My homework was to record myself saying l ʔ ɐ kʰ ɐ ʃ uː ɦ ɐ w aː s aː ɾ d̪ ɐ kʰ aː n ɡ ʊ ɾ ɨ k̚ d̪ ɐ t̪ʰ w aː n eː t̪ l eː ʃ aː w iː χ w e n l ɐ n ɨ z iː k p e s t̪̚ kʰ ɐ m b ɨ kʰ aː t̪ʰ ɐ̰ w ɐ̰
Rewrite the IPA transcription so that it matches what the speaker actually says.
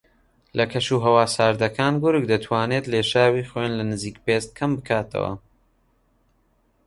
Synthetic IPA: l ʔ ɐ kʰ ɐ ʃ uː ɦ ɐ w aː s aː ɾ d̪ ɐ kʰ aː n ɡ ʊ ɾ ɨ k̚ d̪ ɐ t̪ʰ w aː n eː t̪ l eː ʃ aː w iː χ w e n l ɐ n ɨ z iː k p e s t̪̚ kʰ ɐ m b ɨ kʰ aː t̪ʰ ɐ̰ w ɐ̰

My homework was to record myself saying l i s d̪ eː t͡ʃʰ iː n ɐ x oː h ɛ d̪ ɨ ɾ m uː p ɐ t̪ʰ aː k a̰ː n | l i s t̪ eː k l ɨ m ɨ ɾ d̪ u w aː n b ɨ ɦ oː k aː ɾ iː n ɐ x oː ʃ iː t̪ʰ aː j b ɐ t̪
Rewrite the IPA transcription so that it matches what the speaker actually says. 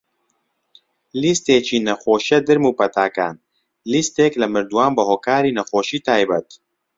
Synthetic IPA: l i s t̪ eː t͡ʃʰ iː n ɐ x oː ʃ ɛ d̪ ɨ ɾ m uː p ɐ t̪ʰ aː k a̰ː n | l i s t̪ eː k l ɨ m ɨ ɾ d̪ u w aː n b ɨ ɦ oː k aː ɾ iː n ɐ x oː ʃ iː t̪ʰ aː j b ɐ t̪

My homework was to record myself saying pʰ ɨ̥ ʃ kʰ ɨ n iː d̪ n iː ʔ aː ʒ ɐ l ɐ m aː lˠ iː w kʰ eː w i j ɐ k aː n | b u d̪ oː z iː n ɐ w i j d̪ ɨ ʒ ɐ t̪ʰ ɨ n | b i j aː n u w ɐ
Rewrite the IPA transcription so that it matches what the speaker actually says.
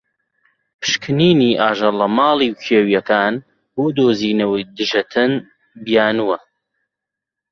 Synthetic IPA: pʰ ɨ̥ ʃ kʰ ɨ n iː n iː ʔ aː ʒ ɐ l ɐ m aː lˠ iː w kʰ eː w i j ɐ k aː n | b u d̪ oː z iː n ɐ w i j d̪ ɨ ʒ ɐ t̪ʰ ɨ n | b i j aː n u w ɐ

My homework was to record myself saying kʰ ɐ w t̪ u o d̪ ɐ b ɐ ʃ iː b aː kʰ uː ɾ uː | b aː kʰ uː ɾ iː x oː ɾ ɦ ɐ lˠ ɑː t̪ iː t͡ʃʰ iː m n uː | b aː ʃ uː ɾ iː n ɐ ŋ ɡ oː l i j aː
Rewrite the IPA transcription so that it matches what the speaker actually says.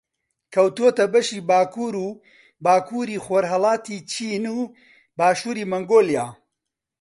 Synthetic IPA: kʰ ɐ w t̪ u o t̪ ɐ b ɐ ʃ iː b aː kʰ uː ɾ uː | b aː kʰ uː ɾ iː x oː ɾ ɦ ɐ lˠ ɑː t̪ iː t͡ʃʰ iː n uː | b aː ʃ uː ɾ iː m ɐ ŋ ɡ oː l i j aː

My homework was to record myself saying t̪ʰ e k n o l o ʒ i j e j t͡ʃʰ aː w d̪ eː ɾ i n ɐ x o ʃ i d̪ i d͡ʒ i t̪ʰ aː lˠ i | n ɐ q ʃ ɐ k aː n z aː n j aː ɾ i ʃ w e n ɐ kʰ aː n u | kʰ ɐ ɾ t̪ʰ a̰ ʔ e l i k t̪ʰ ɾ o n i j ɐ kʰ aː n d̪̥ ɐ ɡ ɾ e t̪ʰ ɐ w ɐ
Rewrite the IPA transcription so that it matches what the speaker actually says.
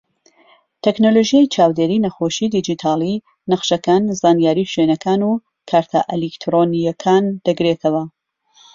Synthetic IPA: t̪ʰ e k n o l o ʒ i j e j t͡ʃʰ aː w d̪ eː ɾ i n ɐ x o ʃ i d̪ i d͡ʒ i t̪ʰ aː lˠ i | n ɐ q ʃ ɐ k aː n z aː n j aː ɾ i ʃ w e n ɐ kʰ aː n u | kʰ a ɾ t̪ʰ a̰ ʔ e l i k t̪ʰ ɾ o n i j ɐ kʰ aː n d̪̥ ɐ ɡ ɾ e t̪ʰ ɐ w ɐ

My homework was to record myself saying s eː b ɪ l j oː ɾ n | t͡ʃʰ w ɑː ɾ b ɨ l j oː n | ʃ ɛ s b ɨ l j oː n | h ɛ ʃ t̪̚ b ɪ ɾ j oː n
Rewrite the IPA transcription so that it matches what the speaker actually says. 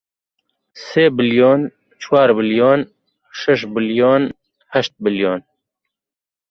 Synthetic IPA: s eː b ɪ l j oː n | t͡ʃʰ w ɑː ɾ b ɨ l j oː n | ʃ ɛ ʃ b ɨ l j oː n | h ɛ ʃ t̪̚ b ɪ l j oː n

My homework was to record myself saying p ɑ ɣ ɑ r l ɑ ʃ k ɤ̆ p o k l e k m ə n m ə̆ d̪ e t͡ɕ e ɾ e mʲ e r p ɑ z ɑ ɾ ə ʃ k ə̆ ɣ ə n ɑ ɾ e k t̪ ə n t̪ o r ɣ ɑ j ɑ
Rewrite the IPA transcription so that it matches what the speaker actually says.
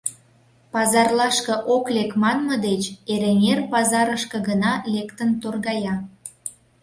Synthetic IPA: p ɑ z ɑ r l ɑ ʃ k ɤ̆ ʔ o k l e k m ɑ n m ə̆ d̪ e t͡ɕ e ɾ e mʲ e r p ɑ z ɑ ɾ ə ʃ k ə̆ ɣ ə n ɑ l e k t̪ ə n t̪ o r ɣ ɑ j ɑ

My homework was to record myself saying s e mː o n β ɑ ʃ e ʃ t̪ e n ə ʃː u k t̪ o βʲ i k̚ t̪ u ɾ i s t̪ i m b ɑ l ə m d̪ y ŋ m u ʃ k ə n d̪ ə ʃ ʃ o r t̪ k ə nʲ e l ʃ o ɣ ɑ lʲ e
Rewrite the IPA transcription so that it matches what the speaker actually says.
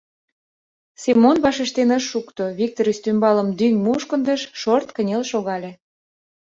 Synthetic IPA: s e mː o n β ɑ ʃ e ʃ t̪ e n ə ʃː u k t̪ o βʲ i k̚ t̪ o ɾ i s t̪ y m b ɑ l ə m d̪ y ŋ m u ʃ k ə n d̪ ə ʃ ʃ o r t̪ k ə nʲ e l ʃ o ɣ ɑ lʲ e

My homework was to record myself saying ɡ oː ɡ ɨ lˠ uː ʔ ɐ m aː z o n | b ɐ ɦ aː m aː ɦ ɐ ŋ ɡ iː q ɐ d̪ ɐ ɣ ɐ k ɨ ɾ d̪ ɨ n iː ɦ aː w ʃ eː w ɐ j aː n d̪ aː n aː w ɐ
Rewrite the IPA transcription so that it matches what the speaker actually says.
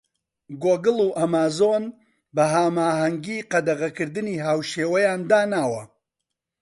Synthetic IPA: ɡ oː ɡ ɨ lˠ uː ʔ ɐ m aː z o n | b ɐ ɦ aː m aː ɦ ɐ ŋ ɡ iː q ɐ d̪ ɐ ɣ ɐ k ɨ ɾ d̪ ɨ n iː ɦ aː w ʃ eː w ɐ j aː n d̪ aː n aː w ɐ

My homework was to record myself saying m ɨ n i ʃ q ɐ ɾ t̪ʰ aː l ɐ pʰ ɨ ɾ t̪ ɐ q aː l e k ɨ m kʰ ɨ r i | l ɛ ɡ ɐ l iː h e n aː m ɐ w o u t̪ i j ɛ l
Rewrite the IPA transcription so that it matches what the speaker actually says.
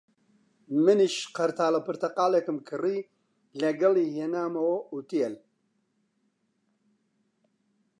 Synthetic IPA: m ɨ n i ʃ q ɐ ɾ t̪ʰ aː l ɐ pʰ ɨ ɾ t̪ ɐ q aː l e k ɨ m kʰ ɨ r i | l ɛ ɡ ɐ l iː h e n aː m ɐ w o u t̪ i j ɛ l

